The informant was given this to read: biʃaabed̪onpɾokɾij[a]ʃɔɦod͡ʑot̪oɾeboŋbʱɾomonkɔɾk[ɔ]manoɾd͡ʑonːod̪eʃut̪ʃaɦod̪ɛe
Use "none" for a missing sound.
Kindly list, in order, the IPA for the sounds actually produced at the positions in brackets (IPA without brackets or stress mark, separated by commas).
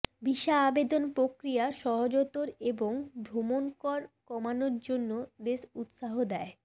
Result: a, ɔ